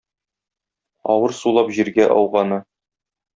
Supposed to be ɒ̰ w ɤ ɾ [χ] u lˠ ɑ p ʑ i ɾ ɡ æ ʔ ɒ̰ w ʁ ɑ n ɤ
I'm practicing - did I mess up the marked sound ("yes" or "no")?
yes